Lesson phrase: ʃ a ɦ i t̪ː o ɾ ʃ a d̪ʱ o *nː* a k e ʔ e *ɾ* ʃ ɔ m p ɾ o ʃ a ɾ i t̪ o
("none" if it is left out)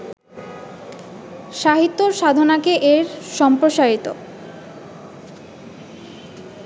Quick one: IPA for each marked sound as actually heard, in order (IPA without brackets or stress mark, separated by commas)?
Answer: n, ɾ